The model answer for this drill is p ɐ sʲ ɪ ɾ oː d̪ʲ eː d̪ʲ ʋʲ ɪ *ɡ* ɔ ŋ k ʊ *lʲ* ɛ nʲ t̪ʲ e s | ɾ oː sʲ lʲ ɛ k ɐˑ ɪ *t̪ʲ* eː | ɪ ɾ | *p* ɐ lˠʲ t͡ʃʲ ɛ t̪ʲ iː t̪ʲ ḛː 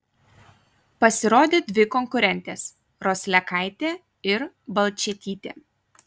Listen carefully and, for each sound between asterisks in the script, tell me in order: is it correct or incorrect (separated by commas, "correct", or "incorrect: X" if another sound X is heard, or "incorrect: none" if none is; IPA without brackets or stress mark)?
incorrect: k, incorrect: ɾʲ, correct, incorrect: b